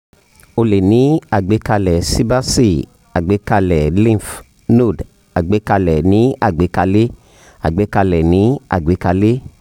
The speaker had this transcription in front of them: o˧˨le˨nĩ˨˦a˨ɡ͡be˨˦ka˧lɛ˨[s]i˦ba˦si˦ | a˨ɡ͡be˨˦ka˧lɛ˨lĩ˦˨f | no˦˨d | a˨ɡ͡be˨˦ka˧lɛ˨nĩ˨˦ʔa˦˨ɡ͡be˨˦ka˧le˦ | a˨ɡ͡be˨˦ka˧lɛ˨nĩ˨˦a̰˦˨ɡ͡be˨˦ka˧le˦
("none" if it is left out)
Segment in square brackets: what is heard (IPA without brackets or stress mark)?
s